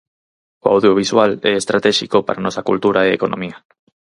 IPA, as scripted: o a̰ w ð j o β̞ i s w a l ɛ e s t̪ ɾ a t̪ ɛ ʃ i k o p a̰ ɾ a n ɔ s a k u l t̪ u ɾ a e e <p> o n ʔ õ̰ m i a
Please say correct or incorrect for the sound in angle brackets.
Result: incorrect